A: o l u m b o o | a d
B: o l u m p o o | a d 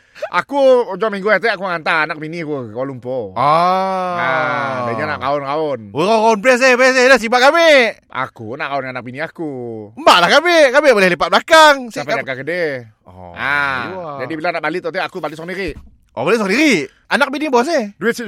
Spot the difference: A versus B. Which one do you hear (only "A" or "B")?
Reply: B